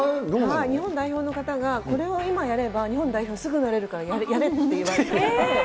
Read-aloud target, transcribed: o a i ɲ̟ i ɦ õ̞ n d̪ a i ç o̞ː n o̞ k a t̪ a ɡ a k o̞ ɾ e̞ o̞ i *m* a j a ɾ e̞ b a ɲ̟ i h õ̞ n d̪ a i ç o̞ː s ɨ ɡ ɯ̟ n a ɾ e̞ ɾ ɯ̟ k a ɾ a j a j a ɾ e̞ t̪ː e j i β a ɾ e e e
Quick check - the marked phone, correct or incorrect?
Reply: correct